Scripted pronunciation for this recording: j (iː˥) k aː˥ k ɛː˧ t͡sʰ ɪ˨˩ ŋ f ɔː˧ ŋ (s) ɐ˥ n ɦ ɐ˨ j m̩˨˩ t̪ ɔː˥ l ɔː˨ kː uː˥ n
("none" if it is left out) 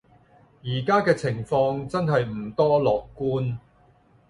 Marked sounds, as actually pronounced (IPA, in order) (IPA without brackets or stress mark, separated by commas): iː˨˩, t͡s